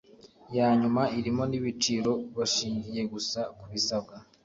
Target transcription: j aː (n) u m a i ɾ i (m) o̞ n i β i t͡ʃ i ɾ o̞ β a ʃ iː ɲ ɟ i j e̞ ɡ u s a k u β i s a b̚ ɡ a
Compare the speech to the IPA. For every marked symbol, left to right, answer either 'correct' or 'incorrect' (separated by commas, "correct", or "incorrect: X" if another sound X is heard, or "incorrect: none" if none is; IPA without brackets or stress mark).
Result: incorrect: ɲ, correct